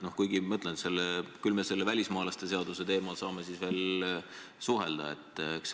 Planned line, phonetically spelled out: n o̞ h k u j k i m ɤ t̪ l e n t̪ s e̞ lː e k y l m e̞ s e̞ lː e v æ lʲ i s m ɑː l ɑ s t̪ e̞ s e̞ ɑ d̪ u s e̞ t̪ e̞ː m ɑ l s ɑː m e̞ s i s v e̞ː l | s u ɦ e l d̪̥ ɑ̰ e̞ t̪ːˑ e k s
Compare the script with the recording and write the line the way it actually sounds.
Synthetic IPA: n o̞ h k u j ɡ i m ɤ t̪ l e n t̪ s e̞ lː e k y l m e̞ s e̞ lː e v æ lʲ i s m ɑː l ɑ s t̪ e̞ s e̞ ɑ d̪ u s e̞ t̪ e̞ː m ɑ l s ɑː m e̞ s i s v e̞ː l | s u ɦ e l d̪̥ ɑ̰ e̞ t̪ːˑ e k s